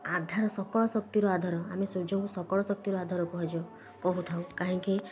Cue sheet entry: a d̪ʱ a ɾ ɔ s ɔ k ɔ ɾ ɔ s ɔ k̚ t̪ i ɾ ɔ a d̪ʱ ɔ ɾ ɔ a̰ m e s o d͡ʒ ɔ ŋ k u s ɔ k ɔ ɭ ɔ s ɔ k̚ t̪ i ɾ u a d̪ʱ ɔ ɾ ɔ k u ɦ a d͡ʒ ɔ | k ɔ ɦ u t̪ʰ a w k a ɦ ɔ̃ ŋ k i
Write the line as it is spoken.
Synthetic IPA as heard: a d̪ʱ a ɾ ɔ s ɔ k ɔ ɭ ɔ s ɔ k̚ t̪ i ɾ ɔ a d̪ʱ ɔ ɾ ɔ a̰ m e s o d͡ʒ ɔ ŋ k u s ɔ k ɔ ɭ ɔ s ɔ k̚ t̪ i ɾ ɔ a d̪ʱ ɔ ɾ ɔ k u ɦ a d͡ʒ ɔ | k ɔ ɦ u t̪ʰ a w k a ɦ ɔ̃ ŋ k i